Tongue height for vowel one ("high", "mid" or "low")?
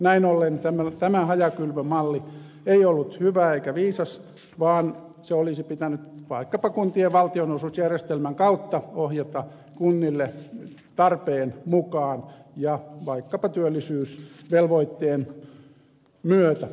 low